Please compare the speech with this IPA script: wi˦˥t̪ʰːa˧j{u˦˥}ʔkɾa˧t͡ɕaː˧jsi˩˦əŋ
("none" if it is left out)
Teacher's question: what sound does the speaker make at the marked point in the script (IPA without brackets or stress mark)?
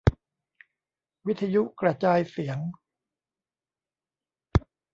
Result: u˦˥